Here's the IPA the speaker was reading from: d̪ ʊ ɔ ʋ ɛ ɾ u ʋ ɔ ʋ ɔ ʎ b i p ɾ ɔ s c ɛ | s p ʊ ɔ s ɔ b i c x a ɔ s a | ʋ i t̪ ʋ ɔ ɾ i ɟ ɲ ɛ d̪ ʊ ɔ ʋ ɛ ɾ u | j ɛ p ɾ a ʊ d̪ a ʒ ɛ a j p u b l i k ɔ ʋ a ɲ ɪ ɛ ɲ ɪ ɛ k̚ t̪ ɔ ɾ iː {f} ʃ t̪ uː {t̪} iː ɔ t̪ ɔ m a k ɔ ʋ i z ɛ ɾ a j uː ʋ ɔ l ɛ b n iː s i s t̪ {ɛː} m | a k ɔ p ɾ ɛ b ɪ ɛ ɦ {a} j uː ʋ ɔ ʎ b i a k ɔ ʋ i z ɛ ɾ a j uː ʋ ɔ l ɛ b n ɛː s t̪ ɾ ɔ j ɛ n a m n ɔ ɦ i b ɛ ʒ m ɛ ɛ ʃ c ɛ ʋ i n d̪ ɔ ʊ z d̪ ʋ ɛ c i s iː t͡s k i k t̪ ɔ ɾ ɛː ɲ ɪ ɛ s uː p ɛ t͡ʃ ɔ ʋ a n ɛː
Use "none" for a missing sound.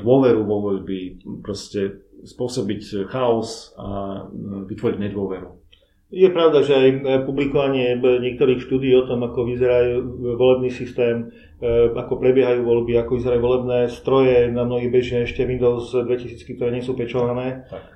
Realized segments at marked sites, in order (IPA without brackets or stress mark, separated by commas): x, d̪, ɛː, a